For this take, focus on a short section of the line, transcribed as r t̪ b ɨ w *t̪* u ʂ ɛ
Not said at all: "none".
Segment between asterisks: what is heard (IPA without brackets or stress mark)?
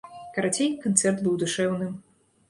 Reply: d̪